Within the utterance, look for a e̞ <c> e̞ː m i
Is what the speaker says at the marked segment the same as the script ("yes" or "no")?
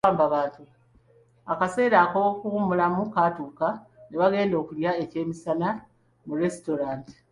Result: yes